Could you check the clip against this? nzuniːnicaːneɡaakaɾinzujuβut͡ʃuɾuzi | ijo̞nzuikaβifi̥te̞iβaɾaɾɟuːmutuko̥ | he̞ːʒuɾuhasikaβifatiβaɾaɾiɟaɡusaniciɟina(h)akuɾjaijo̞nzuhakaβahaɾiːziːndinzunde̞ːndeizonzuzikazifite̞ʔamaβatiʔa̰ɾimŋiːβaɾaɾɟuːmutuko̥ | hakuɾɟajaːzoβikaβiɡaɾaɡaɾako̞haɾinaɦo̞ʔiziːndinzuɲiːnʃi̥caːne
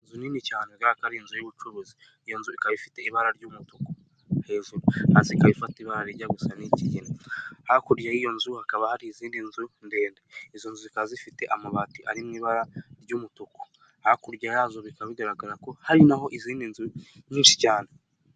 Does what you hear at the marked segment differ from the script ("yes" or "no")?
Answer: no